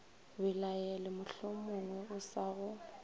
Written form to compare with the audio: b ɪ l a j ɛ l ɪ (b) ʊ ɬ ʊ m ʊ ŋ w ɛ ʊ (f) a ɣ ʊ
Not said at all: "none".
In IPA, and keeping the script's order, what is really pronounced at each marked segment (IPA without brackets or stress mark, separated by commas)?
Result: m, s